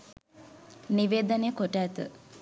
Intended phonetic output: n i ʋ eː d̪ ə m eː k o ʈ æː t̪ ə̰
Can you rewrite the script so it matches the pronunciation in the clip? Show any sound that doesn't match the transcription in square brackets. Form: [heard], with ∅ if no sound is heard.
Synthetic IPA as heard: n i ʋ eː d̪ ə [n] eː k o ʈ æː t̪ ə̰